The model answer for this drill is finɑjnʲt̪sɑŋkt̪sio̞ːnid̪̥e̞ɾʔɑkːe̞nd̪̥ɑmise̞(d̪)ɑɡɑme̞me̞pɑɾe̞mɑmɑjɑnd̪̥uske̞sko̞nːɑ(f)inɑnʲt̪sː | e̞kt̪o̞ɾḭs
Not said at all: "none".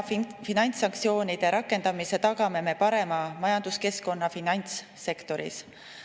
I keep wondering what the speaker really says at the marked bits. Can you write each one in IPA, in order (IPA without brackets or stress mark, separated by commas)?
t̪, f